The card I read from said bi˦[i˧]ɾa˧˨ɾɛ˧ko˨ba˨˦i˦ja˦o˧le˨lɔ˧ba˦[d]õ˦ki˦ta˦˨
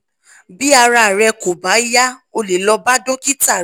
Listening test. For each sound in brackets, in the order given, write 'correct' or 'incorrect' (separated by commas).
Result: incorrect, correct